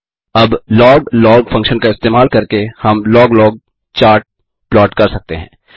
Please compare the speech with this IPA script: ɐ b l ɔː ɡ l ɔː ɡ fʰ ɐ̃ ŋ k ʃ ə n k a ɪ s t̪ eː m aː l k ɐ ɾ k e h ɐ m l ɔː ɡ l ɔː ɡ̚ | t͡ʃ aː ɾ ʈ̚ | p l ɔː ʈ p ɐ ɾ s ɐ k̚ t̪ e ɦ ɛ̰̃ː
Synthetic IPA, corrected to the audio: ɐ b l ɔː ɡ l ɔː ɡ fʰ ɐ̃ ŋ k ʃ ə n k a ɪ s t̪ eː m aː l k ɐ ɾ k e h ɐ m l ɔː ɡ l ɔː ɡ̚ | t͡ʃ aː ɾ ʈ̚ | p l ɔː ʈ k ɐ ɾ s ɐ k̚ t̪ e ɦ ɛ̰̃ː